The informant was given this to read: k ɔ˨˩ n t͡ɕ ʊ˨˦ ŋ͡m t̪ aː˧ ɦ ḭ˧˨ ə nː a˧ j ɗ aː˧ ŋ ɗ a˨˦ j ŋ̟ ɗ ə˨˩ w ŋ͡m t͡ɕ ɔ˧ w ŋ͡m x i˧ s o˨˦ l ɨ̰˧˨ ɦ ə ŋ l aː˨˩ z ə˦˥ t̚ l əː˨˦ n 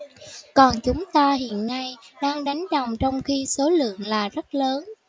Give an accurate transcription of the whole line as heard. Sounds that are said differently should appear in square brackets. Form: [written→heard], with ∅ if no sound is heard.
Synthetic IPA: k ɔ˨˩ n t͡ɕ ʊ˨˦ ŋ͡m t̪ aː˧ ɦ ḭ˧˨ ə nː a˧ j ɗ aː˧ ŋ ɗ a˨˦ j ŋ̟ ɗ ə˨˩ w ŋ͡m t͡ɕ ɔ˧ w ŋ͡m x i˧ s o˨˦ l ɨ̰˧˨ [ɦ→∅] ə ŋ l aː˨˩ z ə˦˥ t̚ l əː˨˦ n

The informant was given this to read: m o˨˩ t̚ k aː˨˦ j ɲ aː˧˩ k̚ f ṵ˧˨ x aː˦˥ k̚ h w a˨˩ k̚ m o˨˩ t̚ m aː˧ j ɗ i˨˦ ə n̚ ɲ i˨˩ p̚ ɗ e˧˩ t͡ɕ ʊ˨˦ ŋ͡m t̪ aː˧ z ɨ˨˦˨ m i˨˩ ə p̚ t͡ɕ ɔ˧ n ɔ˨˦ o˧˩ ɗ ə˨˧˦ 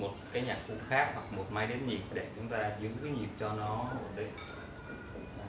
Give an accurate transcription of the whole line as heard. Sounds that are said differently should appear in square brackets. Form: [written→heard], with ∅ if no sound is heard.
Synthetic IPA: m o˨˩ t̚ k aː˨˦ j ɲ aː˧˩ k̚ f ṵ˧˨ x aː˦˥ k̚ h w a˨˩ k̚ m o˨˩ t̚ m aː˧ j ɗ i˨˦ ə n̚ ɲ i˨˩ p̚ ɗ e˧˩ t͡ɕ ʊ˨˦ ŋ͡m t̪ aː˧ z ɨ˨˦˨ [m→ɲ] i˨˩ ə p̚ t͡ɕ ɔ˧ n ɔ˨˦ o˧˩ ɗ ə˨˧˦

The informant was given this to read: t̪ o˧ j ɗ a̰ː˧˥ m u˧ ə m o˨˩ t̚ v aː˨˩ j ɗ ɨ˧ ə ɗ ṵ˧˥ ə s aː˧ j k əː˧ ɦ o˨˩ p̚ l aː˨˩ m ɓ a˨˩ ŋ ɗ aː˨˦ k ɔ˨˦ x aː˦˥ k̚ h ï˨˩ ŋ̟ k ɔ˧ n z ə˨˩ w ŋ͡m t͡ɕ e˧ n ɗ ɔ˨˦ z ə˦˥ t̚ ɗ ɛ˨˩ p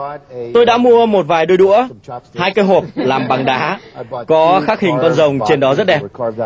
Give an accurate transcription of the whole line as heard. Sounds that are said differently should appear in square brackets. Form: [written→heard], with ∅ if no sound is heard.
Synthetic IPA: t̪ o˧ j ɗ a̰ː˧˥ m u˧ ə m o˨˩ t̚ v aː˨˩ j ɗ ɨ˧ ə ɗ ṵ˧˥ ə [s→h] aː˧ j k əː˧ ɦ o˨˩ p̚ l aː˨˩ m ɓ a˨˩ ŋ ɗ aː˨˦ k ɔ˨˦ x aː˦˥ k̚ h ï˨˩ ŋ̟ k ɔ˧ n z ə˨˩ w ŋ͡m t͡ɕ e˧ n ɗ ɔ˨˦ z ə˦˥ t̚ ɗ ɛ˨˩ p

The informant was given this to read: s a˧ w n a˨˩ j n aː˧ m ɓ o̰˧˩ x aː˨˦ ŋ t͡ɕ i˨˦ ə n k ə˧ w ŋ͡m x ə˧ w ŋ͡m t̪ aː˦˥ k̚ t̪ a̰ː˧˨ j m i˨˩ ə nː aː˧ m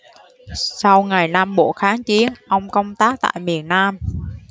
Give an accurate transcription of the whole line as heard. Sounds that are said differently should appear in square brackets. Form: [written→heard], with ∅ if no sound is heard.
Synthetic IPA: s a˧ w [n→ŋ] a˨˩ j n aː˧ m ɓ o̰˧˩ x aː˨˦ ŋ t͡ɕ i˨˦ ə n [k→ʔ] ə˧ w ŋ͡m [x→k] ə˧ w ŋ͡m t̪ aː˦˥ k̚ t̪ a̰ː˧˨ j m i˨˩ ə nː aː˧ m

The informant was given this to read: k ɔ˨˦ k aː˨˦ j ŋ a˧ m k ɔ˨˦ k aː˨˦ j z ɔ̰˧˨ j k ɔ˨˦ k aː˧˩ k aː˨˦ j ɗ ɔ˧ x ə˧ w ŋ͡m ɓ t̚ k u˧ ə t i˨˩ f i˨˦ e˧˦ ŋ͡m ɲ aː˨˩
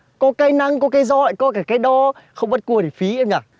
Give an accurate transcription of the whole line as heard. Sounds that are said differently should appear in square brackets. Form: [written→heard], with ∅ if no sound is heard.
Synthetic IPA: k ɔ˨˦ k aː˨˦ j [ŋ→n] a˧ [m→ŋ] k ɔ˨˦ k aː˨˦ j z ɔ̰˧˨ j k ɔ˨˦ k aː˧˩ k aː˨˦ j ɗ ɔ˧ x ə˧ w ŋ͡m ɓ t̚ k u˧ ə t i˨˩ f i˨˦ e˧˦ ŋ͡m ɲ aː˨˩

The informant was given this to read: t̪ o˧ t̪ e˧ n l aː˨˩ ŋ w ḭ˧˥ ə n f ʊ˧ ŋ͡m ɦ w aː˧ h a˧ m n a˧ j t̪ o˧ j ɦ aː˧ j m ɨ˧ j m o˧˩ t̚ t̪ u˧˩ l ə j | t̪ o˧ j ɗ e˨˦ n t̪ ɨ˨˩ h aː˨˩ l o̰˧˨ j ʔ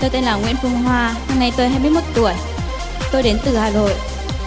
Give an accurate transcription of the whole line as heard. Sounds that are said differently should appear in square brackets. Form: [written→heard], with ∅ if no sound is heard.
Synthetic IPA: t̪ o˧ t̪ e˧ n l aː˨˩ ŋ w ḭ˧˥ ə n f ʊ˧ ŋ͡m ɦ w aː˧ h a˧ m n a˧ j t̪ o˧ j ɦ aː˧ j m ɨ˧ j m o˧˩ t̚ t̪ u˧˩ [l→∅] ə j | t̪ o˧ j ɗ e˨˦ n t̪ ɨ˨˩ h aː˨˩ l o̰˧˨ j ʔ

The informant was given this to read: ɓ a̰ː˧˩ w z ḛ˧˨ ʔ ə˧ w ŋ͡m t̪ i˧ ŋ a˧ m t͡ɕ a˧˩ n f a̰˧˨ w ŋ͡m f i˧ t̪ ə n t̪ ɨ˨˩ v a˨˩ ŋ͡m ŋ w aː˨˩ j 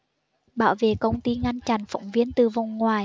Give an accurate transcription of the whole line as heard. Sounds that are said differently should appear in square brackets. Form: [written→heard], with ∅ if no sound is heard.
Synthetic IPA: ɓ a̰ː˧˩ w [z→v] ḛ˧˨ [ʔ→k] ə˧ w ŋ͡m t̪ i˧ ŋ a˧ [m→n] t͡ɕ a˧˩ n f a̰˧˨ w ŋ͡m [f→v] i˧ [t̪→∅] ə n t̪ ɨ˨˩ v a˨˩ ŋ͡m ŋ w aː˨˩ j

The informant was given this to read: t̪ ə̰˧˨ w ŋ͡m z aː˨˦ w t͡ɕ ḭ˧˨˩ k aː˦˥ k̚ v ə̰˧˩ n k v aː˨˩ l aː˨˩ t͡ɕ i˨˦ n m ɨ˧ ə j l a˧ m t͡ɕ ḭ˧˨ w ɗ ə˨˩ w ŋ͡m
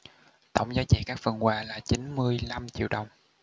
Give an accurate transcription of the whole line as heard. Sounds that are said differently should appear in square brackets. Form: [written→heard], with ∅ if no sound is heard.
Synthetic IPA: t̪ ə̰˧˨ w ŋ͡m z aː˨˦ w t͡ɕ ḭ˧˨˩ k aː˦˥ k̚ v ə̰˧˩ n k [v→w] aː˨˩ l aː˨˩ t͡ɕ i˨˦ n m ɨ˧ ə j l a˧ m t͡ɕ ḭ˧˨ w ɗ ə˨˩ w ŋ͡m

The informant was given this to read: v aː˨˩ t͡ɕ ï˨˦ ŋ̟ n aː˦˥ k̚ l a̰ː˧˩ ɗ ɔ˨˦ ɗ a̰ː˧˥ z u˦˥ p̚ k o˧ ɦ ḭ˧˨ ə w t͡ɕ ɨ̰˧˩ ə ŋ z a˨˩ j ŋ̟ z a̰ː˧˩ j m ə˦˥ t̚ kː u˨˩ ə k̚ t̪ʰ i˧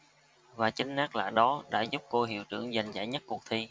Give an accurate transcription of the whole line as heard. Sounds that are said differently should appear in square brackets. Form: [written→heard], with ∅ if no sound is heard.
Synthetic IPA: v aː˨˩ t͡ɕ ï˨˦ ŋ̟ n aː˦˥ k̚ l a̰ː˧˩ ɗ ɔ˨˦ ɗ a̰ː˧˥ z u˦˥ p̚ k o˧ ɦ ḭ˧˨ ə w t͡ɕ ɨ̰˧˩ ə ŋ z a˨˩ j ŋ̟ z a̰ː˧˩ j [m→ɲ] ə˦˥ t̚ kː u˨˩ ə k̚ t̪ʰ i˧

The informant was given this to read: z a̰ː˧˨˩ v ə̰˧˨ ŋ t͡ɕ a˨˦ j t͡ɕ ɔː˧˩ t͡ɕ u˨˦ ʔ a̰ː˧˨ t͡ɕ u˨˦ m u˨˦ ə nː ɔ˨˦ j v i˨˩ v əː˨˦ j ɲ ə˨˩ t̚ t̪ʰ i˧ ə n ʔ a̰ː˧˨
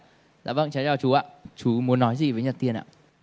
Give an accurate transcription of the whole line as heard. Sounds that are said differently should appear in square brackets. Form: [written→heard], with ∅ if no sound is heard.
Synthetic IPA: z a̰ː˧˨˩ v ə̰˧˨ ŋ t͡ɕ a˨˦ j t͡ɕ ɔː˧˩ t͡ɕ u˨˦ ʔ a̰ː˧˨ t͡ɕ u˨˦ m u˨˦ ə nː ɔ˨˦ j [v→z] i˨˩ v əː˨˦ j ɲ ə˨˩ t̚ [t̪ʰ→t̪] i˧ ə n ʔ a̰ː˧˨

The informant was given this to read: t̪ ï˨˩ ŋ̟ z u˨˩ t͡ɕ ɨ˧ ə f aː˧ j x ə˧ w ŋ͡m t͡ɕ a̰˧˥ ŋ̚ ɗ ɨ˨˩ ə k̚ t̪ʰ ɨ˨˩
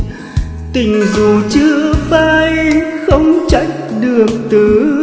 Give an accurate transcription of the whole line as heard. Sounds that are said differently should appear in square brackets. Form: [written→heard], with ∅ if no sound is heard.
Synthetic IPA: t̪ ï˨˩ ŋ̟ z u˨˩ t͡ɕ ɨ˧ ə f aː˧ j x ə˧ w ŋ͡m t͡ɕ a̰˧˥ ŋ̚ ɗ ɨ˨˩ ə k̚ [t̪ʰ→t̪] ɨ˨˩

